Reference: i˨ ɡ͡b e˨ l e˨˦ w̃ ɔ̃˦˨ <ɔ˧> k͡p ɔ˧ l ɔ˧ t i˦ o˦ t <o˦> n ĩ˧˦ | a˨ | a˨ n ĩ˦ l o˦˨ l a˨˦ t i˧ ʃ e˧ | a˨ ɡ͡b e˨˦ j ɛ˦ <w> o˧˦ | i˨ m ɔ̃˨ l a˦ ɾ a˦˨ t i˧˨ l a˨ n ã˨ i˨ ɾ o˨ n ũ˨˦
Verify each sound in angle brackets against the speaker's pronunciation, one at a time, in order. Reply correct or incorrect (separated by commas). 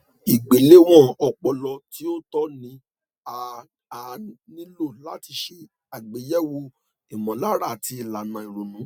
correct, incorrect, correct